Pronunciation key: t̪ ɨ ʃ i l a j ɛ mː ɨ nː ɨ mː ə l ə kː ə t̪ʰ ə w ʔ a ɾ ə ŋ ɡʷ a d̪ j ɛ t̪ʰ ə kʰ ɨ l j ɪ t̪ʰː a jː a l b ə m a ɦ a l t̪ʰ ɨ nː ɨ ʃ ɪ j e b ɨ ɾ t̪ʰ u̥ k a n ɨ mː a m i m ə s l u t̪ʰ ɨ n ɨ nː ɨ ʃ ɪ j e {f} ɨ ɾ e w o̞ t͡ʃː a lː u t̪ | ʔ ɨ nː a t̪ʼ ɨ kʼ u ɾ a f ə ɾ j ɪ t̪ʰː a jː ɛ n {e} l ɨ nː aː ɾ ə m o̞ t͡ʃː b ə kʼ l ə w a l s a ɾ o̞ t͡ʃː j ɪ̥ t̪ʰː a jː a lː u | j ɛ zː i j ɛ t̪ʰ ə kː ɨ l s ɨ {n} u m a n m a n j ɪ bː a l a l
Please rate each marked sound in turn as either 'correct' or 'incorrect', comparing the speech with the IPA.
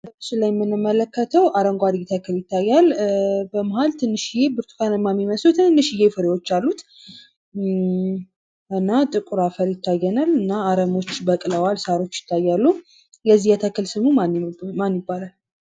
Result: correct, incorrect: a, incorrect: m

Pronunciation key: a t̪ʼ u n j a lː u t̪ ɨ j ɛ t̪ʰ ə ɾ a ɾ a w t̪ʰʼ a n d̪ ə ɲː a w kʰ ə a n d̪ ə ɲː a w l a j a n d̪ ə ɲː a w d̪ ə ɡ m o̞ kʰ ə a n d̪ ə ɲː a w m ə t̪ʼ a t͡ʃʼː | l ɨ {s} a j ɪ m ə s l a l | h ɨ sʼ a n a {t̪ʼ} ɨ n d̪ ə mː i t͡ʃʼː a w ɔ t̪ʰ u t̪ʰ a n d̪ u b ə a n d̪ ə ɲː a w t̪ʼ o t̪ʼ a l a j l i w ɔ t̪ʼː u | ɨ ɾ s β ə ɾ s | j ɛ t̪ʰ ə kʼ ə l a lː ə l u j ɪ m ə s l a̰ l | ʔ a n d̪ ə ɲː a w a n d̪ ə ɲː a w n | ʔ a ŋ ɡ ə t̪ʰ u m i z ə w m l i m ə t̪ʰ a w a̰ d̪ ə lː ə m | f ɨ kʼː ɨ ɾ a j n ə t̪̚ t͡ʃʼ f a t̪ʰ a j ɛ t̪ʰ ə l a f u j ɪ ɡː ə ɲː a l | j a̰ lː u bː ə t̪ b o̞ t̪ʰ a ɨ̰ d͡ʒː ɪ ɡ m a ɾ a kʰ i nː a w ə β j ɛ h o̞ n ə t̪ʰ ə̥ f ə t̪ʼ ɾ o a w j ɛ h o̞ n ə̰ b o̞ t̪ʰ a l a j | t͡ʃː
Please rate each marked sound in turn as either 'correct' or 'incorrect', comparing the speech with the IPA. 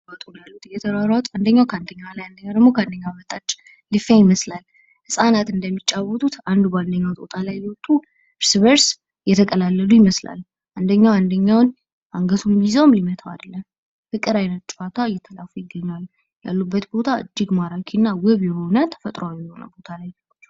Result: incorrect: f, incorrect: t̪

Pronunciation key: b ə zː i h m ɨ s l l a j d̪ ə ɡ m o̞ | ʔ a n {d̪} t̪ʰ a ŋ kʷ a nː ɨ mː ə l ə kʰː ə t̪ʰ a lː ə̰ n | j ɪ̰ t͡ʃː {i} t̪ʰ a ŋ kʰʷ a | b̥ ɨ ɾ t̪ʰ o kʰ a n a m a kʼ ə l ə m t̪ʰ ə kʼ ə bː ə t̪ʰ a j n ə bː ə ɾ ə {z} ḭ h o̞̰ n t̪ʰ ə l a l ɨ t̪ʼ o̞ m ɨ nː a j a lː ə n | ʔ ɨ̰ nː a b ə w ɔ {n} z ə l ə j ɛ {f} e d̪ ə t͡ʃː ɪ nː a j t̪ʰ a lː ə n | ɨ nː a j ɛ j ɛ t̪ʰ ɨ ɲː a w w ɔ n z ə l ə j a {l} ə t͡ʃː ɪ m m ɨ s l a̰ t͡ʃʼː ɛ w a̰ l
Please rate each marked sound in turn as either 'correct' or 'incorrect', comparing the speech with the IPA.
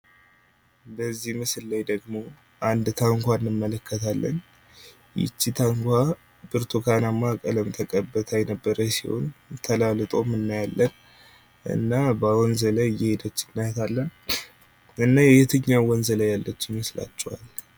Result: correct, correct, incorrect: s, correct, incorrect: h, incorrect: lː

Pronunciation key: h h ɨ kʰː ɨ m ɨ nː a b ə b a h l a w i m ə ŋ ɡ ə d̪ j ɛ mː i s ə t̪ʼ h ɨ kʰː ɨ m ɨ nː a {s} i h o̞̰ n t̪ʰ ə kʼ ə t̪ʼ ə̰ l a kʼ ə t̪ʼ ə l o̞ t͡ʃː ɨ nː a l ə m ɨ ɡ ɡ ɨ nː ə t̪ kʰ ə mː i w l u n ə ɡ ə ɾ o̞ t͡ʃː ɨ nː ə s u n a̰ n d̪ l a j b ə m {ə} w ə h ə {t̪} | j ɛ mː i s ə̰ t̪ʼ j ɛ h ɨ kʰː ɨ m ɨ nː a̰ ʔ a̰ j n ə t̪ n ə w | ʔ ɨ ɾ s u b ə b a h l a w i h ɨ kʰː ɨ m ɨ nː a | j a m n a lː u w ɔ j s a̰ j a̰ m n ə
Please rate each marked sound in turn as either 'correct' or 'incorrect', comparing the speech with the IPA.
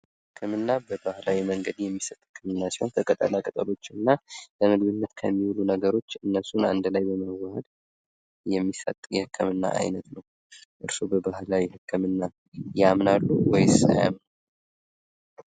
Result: correct, correct, incorrect: d̪

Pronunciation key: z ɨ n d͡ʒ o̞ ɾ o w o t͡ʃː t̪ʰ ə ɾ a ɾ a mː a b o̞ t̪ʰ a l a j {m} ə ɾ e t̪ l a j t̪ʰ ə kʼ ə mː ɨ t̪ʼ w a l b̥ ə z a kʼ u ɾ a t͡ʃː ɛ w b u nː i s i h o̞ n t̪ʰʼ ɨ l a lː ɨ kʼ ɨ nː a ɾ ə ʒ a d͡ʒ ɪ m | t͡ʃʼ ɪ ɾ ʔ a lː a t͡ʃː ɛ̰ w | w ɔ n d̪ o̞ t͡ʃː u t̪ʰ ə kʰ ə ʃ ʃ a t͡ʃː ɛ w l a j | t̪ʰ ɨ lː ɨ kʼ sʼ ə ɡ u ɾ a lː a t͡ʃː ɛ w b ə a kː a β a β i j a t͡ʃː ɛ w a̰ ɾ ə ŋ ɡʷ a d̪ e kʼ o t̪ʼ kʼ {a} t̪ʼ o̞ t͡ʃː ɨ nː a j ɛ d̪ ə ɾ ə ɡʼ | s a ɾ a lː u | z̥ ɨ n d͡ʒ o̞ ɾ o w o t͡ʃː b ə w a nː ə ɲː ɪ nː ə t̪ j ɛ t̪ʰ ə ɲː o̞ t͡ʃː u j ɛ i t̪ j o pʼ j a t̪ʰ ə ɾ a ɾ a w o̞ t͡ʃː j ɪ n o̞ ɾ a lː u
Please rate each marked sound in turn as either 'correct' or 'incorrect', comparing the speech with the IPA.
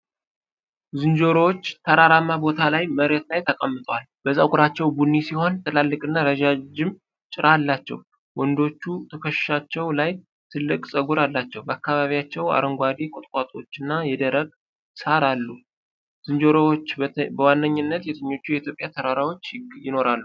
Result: correct, correct

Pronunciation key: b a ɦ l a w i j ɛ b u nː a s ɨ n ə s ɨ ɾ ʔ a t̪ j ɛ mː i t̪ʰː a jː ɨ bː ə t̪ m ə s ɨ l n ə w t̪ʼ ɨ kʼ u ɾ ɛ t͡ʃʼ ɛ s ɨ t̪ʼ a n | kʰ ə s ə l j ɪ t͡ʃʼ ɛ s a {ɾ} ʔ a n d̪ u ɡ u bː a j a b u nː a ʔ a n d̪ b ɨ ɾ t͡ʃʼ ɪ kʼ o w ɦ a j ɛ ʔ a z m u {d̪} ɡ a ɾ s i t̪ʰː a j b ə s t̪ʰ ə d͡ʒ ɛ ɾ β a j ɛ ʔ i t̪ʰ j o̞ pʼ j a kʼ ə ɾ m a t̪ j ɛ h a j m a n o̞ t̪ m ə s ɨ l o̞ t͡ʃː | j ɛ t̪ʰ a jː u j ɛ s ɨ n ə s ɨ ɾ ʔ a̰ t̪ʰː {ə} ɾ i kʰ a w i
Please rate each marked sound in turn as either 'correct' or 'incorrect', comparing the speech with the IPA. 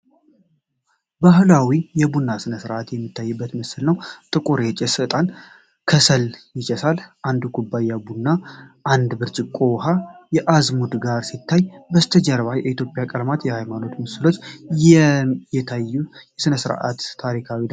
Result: incorrect: l, correct, incorrect: a

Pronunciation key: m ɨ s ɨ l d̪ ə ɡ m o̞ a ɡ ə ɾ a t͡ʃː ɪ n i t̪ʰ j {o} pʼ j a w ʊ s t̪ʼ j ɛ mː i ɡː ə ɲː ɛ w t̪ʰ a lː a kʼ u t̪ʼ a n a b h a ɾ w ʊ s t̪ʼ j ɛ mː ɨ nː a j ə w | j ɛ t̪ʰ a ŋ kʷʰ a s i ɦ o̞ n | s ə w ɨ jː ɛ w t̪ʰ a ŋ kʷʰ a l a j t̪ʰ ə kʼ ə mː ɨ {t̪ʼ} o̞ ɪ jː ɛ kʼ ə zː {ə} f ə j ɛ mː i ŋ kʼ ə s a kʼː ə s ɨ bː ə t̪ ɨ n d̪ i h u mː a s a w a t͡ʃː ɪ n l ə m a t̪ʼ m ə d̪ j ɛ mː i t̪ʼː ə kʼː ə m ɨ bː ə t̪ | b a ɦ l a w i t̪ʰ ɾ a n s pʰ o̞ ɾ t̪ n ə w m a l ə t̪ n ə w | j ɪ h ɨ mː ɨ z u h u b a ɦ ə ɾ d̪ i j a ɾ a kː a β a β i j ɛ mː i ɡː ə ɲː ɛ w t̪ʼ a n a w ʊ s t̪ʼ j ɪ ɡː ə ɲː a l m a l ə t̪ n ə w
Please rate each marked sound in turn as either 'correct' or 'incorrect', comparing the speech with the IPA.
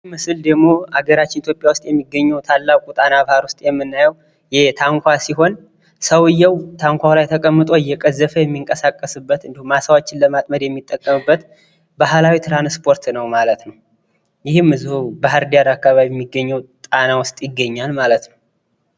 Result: correct, correct, correct

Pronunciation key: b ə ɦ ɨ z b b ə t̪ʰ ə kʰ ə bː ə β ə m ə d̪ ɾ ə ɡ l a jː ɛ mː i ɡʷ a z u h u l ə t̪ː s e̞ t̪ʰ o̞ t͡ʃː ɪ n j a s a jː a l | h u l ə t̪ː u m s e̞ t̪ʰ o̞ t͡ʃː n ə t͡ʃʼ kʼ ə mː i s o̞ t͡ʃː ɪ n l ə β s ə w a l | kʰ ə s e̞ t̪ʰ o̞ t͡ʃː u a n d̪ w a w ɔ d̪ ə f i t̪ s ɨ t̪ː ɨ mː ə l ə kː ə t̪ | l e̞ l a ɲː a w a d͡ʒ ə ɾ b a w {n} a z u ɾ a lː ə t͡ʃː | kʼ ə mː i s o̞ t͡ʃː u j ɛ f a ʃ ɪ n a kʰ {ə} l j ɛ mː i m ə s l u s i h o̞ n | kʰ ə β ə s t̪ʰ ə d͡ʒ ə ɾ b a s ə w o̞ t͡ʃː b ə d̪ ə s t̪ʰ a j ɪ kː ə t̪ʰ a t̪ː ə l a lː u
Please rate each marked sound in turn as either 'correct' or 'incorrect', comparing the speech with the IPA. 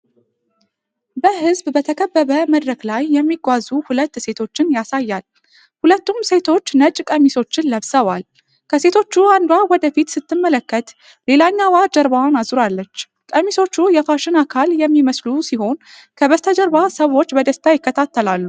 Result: correct, incorrect: a

